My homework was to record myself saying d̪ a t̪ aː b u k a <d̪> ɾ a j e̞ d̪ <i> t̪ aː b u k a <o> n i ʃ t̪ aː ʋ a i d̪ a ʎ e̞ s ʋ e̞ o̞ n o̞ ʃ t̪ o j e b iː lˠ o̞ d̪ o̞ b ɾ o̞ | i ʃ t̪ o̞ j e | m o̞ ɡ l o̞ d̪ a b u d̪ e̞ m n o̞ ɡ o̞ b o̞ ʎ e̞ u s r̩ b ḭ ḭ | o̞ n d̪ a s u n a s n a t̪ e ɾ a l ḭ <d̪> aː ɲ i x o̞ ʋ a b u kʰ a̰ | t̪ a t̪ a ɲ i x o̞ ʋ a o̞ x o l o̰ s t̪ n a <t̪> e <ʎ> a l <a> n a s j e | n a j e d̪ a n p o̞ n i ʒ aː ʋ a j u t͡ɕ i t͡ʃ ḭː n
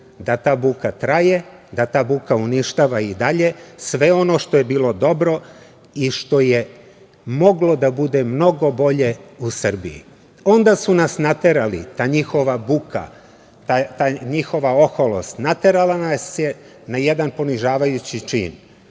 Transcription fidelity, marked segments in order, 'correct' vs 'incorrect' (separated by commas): incorrect, incorrect, incorrect, incorrect, correct, incorrect, correct